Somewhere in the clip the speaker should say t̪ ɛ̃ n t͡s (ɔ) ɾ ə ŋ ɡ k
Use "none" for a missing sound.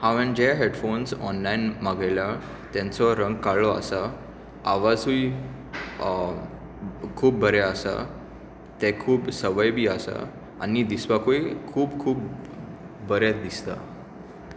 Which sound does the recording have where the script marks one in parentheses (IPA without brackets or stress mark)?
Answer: ɔ